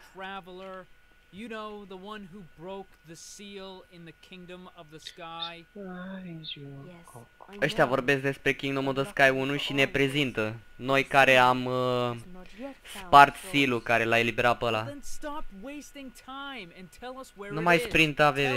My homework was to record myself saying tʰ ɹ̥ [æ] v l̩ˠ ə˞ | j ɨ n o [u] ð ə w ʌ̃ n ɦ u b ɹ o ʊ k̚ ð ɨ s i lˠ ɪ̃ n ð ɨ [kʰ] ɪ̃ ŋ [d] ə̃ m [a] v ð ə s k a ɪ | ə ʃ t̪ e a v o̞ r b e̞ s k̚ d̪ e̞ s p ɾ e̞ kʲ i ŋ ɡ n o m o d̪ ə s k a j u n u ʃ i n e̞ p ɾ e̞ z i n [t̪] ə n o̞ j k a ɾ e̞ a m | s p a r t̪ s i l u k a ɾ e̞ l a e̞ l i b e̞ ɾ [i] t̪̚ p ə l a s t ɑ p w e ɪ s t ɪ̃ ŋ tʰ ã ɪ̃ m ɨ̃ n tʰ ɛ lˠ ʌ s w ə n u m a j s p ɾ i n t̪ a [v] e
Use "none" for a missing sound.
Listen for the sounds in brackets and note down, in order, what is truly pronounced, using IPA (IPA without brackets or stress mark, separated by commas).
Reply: æ, ʊ, kʰ, d, ʌ, t̪, a, v